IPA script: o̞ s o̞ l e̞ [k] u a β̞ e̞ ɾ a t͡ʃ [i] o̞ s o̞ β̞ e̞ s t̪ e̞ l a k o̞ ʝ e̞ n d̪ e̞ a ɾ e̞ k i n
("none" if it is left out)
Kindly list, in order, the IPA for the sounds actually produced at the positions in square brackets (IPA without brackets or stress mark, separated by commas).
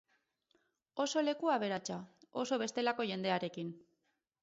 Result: k, a